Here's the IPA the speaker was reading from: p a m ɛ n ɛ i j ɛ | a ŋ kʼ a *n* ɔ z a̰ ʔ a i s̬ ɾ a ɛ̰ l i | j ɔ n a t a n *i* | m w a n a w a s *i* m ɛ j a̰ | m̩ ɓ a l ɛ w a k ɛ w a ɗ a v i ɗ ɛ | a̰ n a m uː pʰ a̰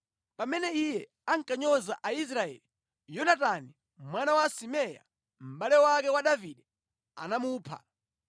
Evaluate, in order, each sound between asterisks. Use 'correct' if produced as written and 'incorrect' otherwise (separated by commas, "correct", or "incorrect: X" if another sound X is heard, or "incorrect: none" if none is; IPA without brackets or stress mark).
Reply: incorrect: ɲ, correct, correct